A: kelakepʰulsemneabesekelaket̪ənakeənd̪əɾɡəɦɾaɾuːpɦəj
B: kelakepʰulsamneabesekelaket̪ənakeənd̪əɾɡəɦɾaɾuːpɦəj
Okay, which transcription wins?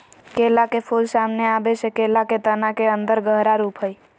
B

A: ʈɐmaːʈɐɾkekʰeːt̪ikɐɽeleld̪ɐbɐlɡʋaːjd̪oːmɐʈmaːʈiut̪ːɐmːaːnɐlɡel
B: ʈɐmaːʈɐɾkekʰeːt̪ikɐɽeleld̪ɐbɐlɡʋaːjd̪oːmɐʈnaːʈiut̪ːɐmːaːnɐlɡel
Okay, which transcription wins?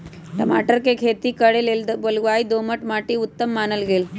A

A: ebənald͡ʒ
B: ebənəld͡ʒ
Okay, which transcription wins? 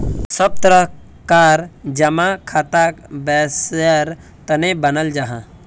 B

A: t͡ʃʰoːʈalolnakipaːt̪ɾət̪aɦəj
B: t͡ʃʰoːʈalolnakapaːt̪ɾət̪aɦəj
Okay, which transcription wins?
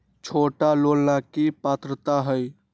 A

